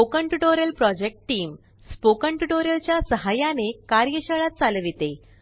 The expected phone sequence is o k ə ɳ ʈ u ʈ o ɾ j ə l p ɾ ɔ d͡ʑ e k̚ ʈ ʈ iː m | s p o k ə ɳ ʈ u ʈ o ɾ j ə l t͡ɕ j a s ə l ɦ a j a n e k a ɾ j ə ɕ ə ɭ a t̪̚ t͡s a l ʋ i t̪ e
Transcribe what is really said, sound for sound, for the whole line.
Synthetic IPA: o k ə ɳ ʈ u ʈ o ɾ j ə l p ɾ ɔ d͡ʑ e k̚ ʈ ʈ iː m | s p o k ə ɳ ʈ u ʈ o ɾ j ə l t͡ɕ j a s ə ɦ a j a n e k a ɾ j ə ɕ ə ɭ a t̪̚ t͡s a l ʋ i t̪ e